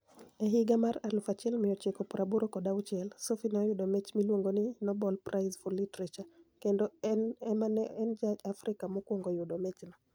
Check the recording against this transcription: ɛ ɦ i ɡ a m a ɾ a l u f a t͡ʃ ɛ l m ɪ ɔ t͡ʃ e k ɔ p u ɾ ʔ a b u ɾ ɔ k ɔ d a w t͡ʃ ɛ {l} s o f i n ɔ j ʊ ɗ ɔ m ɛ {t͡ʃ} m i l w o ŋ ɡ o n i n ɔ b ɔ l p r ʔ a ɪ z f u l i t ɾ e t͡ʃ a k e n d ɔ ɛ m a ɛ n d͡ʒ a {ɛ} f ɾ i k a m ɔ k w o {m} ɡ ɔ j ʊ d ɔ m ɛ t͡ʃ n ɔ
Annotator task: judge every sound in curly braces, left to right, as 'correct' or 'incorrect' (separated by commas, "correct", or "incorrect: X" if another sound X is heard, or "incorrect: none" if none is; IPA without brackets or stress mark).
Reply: correct, correct, incorrect: a, incorrect: ŋ